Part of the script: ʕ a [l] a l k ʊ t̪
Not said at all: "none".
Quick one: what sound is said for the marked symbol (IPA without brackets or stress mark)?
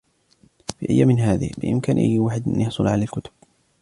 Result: l